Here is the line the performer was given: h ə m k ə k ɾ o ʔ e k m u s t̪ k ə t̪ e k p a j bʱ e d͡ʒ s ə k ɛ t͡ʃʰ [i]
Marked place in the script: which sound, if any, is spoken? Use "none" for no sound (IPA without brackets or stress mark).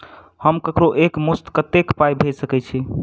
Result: i